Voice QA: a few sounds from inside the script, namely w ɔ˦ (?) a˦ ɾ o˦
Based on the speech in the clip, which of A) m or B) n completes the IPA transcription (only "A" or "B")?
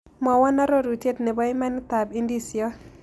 B